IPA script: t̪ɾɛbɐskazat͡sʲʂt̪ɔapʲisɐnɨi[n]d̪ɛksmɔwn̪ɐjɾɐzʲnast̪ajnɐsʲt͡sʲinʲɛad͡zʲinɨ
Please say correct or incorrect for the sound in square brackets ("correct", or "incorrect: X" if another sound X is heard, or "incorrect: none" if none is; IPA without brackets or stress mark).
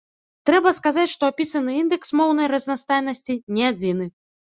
correct